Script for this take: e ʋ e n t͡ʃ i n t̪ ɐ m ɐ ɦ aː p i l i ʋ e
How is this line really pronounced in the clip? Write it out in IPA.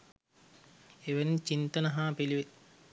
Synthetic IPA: e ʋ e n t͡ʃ i n t̪ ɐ n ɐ ɦ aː p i l i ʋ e